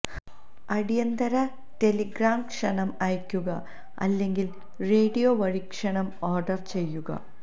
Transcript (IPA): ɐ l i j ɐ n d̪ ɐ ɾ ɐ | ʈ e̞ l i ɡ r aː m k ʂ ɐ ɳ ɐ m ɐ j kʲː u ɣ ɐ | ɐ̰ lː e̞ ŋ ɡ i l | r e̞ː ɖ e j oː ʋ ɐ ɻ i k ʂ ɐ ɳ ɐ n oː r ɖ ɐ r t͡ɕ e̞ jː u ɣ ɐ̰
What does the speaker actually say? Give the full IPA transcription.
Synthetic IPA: ɐ ɽ i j ɐ n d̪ ɐ ɾ ɐ | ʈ e̞ l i ɡ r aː m k ʂ ɐ ɳ ɐ m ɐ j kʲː u ɣ ɐ | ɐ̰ lː e̞ ŋ ɡ i l | r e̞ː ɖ i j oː ʋ ɐ ɻ i k ʂ ɐ ɳ ɐ m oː r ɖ ɐ r t͡ɕ e̞ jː u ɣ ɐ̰

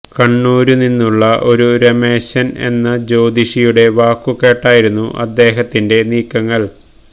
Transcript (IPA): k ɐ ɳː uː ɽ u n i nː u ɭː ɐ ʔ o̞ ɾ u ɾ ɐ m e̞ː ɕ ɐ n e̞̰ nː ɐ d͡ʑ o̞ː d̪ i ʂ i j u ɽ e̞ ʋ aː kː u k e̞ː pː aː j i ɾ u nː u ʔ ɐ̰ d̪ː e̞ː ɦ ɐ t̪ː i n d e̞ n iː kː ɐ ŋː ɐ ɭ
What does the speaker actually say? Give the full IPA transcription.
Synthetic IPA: k ɐ ɳː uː ɾ u n i nː u ɭː ɐ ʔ o̞ ɾ u ɾ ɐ m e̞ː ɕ ɐ n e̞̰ nː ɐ d͡ʑ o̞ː d̪ i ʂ i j u ɽ e̞ ʋ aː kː u k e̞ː ʈː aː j i ɾ u nː u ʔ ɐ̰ d̪ː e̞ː ɦ ɐ t̪ː i n d e̞ n iː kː ɐ ŋː ɐ ɭ

